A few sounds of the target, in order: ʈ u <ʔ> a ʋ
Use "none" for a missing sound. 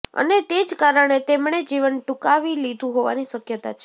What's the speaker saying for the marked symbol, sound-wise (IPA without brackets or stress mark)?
k